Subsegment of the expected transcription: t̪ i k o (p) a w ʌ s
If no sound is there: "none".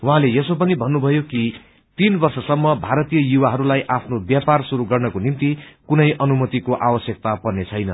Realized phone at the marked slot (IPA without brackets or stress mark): ʔ